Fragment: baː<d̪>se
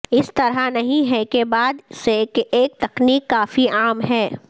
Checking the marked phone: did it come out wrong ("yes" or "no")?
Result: no